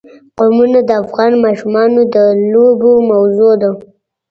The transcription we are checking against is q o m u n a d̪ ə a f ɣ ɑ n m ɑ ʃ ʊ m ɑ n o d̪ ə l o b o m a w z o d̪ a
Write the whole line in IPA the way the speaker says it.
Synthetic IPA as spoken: q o m u n a d̪ ə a f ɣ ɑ n m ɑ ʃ u m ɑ n o d̪ ə l o b o m a w z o d̪ a